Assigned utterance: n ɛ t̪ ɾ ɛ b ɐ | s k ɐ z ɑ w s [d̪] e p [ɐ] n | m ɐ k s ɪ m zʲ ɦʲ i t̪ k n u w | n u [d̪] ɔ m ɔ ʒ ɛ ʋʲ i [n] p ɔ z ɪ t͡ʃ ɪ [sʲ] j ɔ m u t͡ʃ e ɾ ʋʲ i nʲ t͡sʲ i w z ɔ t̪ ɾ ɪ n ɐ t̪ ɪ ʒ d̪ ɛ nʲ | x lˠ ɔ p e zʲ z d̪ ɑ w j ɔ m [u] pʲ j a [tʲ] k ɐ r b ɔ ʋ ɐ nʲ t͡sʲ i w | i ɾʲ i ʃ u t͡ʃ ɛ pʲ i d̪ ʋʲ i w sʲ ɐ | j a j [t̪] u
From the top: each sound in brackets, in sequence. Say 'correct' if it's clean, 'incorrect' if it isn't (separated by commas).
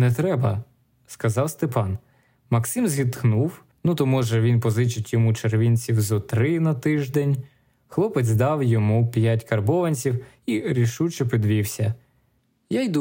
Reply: incorrect, incorrect, incorrect, correct, incorrect, correct, correct, incorrect